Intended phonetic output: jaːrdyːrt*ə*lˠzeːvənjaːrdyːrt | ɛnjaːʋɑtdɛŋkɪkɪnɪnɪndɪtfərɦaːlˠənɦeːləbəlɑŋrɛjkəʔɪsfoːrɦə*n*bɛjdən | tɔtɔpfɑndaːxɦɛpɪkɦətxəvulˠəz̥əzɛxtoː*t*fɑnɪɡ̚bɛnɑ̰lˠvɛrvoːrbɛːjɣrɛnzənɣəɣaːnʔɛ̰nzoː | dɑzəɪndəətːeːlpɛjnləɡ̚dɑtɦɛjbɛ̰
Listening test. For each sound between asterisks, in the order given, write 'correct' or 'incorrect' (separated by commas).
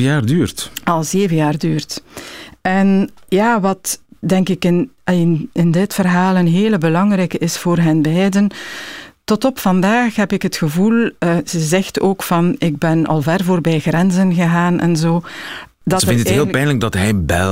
incorrect, correct, incorrect